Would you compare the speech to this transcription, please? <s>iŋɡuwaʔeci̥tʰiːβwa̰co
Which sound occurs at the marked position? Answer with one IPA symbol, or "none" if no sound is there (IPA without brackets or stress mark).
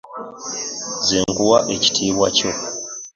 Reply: z